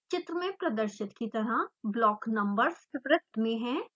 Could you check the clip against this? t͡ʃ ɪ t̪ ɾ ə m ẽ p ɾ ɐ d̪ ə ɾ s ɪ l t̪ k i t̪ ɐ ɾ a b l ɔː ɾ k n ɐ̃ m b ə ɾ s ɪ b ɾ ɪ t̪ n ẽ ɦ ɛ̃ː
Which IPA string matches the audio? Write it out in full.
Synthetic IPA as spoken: t͡ʃ ɪ t̪ ɾ ə m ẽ p ɾ ɐ d̪ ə ɾ ʃ ɪ t̪ k i t̪ ɐ ɾ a b l ɔː k n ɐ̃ m b ə ɾ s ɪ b ɾ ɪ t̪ m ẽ ɦ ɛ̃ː